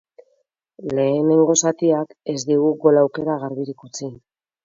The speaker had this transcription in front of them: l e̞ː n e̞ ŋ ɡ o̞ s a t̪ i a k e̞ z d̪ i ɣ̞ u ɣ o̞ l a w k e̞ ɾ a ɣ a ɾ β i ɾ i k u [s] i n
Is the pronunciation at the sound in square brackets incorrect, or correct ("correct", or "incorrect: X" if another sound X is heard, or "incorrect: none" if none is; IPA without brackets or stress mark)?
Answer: incorrect: t͡s